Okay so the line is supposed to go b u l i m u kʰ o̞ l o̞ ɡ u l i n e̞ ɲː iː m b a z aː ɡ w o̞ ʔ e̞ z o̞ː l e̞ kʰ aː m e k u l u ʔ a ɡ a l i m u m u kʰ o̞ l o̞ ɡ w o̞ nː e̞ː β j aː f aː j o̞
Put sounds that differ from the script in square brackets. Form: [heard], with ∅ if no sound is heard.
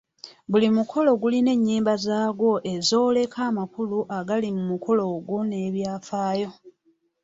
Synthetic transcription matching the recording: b u l i m u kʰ o̞ l o̞ ɡ u l i n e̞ ɲː iː m b a z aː ɡ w o̞ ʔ e̞ z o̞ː l e̞ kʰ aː m [a] k u l u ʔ a ɡ a l i m u m u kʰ o̞ l o̞ ɡ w o̞ [n] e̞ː β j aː f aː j o̞

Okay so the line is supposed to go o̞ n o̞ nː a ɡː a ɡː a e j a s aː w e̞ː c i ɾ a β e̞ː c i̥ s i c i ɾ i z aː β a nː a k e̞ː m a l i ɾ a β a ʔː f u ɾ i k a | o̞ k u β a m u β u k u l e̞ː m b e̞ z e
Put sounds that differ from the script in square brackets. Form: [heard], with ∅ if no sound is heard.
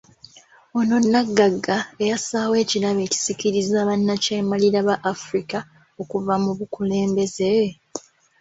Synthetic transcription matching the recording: o̞ n o̞ nː a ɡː a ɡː a e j a s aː w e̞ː c i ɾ a β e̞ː c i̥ s i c i ɾ i z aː β a nː a [c] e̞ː m a l i ɾ a β a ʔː f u ɾ i k a | o̞ k u [v] a m u β u k u l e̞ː m b e̞ z e

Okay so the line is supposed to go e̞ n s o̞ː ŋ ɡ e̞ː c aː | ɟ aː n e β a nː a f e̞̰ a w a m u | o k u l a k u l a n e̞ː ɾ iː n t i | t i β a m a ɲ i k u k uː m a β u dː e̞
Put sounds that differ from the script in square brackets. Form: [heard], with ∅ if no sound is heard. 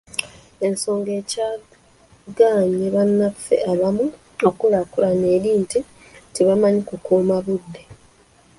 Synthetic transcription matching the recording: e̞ n s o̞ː ŋ ɡ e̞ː c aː | [ɡ] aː [ɲ] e β a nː a f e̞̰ a [β] a m u | o k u l a k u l a n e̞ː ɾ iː n t i | t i β a m a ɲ i k u k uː m a β u dː e̞

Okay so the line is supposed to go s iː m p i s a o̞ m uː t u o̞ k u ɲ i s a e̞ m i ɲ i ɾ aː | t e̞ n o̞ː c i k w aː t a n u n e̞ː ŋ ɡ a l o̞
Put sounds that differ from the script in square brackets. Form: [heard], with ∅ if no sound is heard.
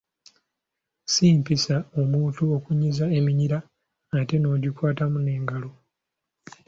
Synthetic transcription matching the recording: s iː m p i s a o̞ m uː t u o̞ k u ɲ i [z] a e̞ m i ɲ i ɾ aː | t e̞ n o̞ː [ɟ] i k w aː t a [m] u n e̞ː ŋ ɡ a l o̞

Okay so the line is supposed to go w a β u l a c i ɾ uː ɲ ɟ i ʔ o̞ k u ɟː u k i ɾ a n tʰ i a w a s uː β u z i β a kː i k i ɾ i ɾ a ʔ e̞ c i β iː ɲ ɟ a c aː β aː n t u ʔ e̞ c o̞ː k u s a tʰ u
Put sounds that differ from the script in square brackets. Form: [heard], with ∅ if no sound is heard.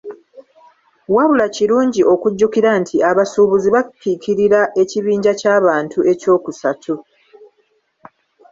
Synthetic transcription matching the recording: w a β u l a c i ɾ uː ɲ ɟ i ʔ o̞ k u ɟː u k i ɾ a n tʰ i a [β] a s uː β u z i β a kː i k i ɾ i ɾ a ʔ e̞ c i β iː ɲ ɟ a c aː β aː n t u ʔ e̞ c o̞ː k u s a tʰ u

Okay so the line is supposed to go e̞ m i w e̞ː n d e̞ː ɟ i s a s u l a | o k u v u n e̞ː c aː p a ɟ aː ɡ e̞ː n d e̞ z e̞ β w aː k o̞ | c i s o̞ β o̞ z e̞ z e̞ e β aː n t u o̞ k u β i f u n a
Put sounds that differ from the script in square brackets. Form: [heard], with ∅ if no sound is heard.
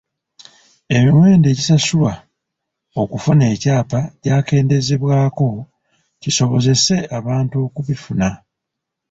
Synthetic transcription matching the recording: e̞ m i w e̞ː n d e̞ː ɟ i s a s u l a | o k u [f] u n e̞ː c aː p a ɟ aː [k] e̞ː n d e̞ z e̞ β w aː k o̞ | c i s o̞ β o̞ z e̞ [s] e̞ [a] β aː n t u o̞ k u β i f u n a

